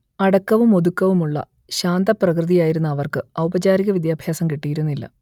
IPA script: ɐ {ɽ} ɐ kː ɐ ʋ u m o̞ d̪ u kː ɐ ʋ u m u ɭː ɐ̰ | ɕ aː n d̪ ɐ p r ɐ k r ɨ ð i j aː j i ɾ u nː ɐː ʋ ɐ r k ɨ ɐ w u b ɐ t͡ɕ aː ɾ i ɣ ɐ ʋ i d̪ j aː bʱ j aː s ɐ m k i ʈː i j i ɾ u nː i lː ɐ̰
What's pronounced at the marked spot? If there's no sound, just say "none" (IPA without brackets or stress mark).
ɽ